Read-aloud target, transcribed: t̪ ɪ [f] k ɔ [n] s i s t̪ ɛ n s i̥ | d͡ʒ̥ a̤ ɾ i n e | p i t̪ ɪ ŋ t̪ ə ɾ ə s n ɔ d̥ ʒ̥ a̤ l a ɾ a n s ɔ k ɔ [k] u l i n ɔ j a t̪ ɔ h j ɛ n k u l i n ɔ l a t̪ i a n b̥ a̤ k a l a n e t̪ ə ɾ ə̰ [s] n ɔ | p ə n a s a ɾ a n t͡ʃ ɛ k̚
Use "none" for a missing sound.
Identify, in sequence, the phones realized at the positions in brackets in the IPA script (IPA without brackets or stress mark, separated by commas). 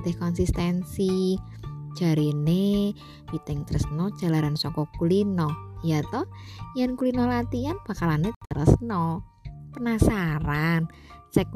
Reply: h, n, k, s